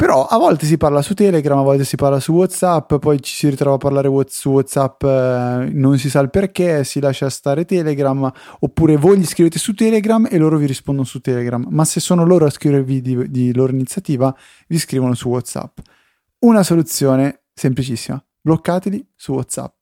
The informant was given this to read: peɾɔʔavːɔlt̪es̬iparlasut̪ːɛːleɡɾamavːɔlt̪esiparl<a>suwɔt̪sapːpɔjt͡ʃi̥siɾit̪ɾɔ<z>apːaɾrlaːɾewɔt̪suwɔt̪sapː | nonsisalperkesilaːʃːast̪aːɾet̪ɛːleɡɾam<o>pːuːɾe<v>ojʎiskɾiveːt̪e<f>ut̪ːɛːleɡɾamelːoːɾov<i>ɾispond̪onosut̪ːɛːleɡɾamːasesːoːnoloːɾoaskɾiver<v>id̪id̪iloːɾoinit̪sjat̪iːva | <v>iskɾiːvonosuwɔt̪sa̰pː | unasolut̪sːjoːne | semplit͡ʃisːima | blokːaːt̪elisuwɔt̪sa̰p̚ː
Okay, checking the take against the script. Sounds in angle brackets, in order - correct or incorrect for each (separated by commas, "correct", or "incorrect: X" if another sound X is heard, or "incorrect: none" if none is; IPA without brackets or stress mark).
correct, incorrect: v, correct, correct, incorrect: s, correct, correct, correct